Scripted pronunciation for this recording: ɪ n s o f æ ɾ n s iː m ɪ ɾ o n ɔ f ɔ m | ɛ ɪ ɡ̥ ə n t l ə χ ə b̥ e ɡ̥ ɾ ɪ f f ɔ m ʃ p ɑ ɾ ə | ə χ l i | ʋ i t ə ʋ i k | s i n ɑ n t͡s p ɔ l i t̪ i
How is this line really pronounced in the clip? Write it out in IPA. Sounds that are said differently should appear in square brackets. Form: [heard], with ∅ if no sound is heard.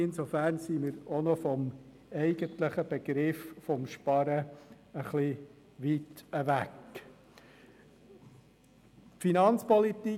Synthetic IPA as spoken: ɪ n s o f æ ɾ n s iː m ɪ ɾ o n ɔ f ɔ m | ɛ ɪ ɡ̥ ə n t l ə χ ə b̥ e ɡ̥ ɾ ɪ f f ɔ m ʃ p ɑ ɾ ə | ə χ l i | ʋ i t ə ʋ [æ] k | [f] i n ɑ n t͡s p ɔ l i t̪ i